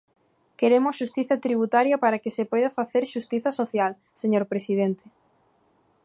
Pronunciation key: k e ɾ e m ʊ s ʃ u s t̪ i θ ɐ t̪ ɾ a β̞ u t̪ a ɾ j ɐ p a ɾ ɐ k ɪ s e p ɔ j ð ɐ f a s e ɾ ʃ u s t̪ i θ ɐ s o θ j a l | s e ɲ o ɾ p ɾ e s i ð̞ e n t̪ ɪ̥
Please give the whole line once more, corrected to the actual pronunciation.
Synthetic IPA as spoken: k e ɾ e m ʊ s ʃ u s t̪ i θ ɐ t̪ ɾ i β̞ u t̪ a ɾ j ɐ p a ɾ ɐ k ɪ s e p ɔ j ð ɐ f a θ e ɾ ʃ u s t̪ i θ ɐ s o θ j a l | s e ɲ o ɾ p ɾ e s i ð̞ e n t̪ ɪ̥